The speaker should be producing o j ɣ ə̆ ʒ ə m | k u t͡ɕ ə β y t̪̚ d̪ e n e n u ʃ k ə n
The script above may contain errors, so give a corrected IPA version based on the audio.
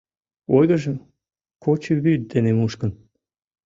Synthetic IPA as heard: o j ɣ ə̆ ʒ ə m | k o t͡ɕ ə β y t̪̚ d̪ e n e m u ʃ k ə n